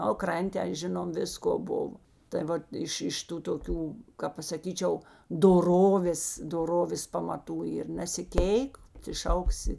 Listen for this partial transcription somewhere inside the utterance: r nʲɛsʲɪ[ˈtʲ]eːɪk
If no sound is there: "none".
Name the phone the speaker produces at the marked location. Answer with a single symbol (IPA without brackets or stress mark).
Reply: kʲ